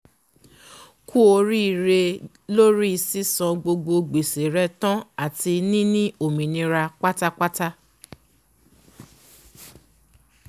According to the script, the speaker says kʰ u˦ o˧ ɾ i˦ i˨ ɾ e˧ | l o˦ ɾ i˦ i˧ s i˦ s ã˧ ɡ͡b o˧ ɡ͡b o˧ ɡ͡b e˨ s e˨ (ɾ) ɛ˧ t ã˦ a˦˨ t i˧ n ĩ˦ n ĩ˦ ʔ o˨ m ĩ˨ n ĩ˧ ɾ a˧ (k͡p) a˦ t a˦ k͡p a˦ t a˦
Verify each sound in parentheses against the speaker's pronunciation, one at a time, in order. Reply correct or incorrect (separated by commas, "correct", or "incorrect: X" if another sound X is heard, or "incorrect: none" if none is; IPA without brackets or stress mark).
correct, correct